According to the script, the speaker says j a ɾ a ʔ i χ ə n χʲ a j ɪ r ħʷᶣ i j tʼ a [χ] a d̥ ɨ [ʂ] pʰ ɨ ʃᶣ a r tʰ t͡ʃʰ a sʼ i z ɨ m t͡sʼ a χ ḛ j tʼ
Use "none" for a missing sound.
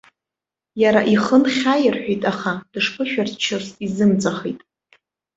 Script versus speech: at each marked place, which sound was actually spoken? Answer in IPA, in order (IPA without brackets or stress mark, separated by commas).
χ, ʂ